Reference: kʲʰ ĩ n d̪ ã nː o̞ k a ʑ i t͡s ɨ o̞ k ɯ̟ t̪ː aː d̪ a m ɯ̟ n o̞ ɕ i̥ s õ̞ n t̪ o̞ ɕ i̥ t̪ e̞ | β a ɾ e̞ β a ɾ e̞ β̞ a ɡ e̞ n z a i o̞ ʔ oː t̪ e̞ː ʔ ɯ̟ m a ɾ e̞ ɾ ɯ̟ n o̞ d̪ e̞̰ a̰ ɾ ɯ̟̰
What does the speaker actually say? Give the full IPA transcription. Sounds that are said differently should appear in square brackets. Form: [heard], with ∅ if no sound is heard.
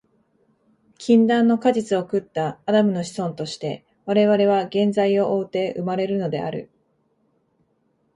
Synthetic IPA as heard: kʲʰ ĩ n d̪ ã nː o̞ k a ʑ i t͡s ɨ o̞ k ɯ̟ t̪ː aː d̪ a m ɯ̟ n o̞ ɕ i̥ s õ̞ n t̪ o̞ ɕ i̥ t̪ e̞ | β a ɾ e̞ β a ɾ e̞ β̞ a ɡ [ẽ̞] n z a i o̞ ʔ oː t̪ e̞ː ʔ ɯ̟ m a ɾ e̞ ɾ ɯ̟ n o̞ d̪ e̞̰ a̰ ɾ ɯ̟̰